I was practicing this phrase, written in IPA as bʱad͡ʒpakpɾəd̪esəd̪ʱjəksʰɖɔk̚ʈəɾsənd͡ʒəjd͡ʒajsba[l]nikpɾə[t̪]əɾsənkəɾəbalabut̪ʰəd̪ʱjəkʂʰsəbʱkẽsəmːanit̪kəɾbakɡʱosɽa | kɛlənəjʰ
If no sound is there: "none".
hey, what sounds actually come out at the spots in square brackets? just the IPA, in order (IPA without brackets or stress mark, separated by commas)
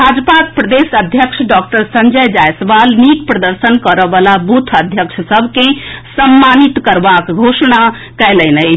l, d̪